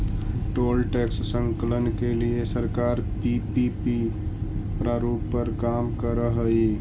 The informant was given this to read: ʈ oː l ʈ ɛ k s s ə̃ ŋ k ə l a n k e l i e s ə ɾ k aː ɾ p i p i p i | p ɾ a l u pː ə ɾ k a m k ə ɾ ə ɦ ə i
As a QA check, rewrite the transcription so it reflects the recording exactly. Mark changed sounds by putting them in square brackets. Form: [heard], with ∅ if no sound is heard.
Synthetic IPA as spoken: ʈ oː l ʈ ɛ k s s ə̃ ŋ k ə l [ə] n k e l i e s ə ɾ k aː ɾ p i p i p i | p ɾ a [ɾ] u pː ə ɾ k a m k ə ɾ ə ɦ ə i